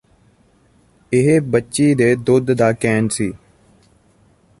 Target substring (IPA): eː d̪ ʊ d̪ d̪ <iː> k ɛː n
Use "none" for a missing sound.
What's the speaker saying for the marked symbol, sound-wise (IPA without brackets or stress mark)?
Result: aː